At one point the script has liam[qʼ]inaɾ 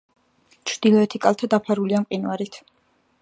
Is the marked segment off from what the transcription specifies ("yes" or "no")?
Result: no